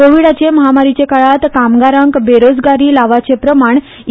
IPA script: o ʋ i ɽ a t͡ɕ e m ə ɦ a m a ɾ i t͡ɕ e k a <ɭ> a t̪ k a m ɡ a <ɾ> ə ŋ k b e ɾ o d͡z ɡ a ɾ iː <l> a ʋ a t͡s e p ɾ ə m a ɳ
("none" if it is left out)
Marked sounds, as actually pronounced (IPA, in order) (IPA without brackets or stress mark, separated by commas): ɭ, ɾ, l